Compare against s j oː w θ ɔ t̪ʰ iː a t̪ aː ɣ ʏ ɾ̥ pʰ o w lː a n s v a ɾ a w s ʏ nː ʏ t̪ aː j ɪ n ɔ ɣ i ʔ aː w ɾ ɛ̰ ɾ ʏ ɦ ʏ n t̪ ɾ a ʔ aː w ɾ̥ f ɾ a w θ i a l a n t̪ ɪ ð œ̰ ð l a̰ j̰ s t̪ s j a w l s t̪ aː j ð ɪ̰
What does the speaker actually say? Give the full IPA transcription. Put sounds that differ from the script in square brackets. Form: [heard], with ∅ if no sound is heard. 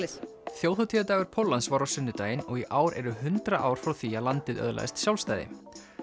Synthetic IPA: [θ] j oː w θ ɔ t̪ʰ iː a t̪ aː ɣ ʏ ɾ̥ pʰ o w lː a n s v a ɾ a w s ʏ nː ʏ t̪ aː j ɪ n ɔ ɣ i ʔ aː w ɾ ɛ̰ ɾ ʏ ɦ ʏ n t̪ ɾ a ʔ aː w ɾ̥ f ɾ a w θ i a l a n t̪ ɪ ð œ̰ ð l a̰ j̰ s t̪ s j a w l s t̪ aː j ð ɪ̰